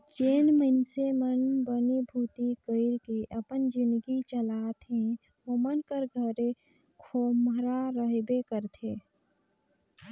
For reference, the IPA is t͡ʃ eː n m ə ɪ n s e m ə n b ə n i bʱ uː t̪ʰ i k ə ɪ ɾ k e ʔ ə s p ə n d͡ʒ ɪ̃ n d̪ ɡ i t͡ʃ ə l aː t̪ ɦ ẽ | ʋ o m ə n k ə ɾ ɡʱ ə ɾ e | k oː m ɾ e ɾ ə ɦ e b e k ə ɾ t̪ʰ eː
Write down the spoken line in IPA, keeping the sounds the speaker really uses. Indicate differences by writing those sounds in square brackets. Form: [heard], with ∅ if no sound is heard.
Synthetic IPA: t͡ʃ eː n m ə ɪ n s e m ə n b ə n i bʱ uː [t̪] i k ə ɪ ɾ k e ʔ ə [∅] p ə n d͡ʒ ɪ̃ n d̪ ɡ i t͡ʃ ə l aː t̪ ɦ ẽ | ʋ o m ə n k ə ɾ ɡʱ ə ɾ e | [kʰ] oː m ɾ [a] ɾ ə ɦ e b e k ə ɾ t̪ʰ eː

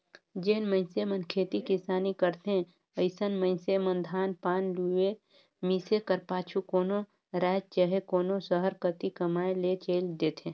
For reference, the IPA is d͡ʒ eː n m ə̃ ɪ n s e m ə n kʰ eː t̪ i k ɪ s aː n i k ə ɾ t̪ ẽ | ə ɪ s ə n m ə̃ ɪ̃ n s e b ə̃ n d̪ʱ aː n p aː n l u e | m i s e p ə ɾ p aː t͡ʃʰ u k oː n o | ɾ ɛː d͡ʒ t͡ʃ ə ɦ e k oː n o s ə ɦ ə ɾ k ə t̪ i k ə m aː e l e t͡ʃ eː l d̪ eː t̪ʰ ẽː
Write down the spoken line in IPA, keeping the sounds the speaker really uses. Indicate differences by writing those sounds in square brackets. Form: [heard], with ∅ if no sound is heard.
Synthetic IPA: d͡ʒ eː n m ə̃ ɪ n s e m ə n kʰ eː t̪ i k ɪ s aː n i k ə ɾ t̪ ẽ | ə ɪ s ə n m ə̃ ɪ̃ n s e [m] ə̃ n d̪ʱ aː n p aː n l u e | m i s e [k] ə ɾ p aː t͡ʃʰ u k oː n o | ɾ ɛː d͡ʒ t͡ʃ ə ɦ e k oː n o s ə ɦ ə ɾ k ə t̪ i k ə m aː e l e t͡ʃ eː l d̪ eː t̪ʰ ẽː

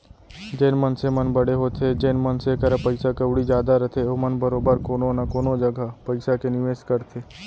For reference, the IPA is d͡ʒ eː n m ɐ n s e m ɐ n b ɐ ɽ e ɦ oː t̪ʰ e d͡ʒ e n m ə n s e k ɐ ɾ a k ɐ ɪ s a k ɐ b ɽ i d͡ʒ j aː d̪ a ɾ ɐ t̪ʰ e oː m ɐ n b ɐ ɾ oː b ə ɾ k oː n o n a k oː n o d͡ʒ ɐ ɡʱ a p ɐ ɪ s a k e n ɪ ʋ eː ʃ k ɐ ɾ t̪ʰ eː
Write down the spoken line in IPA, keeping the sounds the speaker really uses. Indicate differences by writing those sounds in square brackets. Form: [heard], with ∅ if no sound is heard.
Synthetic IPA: d͡ʒ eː n m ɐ n s e m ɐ n b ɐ ɽ e ɦ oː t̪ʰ e d͡ʒ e n m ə n s e k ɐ ɾ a [p] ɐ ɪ s a k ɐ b ɽ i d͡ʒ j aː d̪ a ɾ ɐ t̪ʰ e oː m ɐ n b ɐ ɾ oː b ə ɾ k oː n o n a k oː n o d͡ʒ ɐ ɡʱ a p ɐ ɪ s a k e n ɪ ʋ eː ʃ k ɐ ɾ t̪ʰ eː

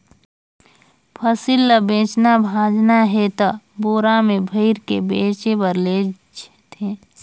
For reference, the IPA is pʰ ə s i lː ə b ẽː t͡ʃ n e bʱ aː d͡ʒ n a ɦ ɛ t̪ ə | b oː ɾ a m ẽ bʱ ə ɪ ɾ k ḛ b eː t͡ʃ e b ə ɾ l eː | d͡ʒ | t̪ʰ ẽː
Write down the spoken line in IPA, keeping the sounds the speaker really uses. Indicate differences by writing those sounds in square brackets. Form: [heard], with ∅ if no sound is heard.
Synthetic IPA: pʰ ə s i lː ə b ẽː t͡ʃ n [a] bʱ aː d͡ʒ n a ɦ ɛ t̪ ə | b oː ɾ a m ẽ bʱ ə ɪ ɾ k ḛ b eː t͡ʃ e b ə ɾ l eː | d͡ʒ | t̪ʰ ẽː

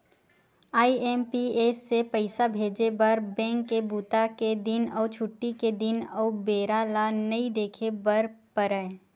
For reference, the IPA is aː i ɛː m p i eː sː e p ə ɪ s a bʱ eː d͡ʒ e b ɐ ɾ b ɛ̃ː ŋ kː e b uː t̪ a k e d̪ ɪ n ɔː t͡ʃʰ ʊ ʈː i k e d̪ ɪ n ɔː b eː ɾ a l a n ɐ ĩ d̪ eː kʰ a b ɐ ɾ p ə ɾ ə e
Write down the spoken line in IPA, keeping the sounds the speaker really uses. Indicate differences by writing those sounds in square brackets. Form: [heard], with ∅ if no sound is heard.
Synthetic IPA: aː i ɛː m p i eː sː e p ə ɪ s a bʱ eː d͡ʒ e b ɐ ɾ b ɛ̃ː ŋ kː e b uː t̪ a k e d̪ ɪ n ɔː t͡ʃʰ ʊ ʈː i k e d̪ ɪ n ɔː b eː ɾ a l a n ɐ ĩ d̪ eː kʰ [e] b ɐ ɾ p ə ɾ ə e

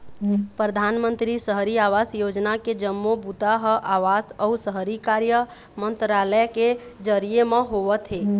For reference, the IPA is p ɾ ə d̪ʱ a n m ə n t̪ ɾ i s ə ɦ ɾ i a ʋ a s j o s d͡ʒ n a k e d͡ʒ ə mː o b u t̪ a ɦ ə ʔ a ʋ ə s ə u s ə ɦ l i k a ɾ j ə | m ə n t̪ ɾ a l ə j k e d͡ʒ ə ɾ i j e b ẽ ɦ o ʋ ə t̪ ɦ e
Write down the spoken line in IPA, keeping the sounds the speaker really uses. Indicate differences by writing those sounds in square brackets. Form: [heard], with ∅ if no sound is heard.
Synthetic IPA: p ɾ ə d̪ʱ a n m ə n t̪ ɾ i s ə ɦ ɾ i a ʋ a s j o [∅] d͡ʒ n a k e d͡ʒ ə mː o b u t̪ a ɦ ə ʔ a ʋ [a] s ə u s ə ɦ [ɾ] i k a ɾ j ə | m ə n t̪ ɾ a l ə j k e d͡ʒ ə ɾ i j e [m] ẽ ɦ o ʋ ə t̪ ɦ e

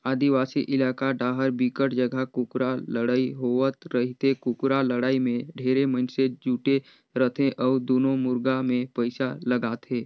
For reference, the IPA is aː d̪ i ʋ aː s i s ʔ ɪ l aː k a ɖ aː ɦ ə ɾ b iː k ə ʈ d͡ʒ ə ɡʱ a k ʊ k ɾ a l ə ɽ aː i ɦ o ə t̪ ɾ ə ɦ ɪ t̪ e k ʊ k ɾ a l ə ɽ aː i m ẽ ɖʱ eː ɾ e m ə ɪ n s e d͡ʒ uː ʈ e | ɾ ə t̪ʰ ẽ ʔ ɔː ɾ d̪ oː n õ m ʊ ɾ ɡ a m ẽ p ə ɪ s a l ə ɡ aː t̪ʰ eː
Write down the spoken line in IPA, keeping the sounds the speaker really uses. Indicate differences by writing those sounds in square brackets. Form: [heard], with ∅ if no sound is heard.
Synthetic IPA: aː d̪ i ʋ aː s i [∅] ʔ ɪ l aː k a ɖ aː ɦ ə ɾ b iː k ə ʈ d͡ʒ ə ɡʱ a k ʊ k ɾ a l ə ɽ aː i ɦ o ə t̪ ɾ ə ɦ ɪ t̪ e k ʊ k ɾ a l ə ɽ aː i m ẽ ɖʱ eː ɾ e m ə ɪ n s e d͡ʒ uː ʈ e | ɾ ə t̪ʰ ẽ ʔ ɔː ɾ d̪ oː n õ m ʊ ɾ ɡ a m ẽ p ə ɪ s a l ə ɡ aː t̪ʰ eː

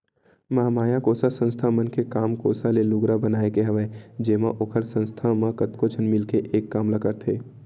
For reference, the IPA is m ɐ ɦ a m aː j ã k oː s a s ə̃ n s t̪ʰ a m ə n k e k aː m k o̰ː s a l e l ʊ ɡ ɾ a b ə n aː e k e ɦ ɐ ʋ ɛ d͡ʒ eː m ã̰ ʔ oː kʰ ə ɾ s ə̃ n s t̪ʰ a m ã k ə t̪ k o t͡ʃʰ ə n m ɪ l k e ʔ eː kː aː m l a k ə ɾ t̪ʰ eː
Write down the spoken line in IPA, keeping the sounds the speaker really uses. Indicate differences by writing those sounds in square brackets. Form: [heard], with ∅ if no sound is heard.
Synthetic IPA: m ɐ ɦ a m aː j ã k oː s a s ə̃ n s t̪ʰ a m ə n k e k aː m k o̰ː s a l e l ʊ ɡ ɾ a b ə n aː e k e ɦ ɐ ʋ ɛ d͡ʒ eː m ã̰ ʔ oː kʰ ə ɾ s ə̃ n s t̪ʰ a m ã k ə t̪ k o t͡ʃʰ ə n m ɪ l k e ʔ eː kː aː m l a k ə ɾ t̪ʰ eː

